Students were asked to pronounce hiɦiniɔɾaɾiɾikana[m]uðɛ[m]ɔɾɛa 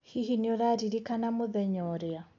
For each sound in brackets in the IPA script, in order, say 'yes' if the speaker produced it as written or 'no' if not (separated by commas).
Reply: yes, no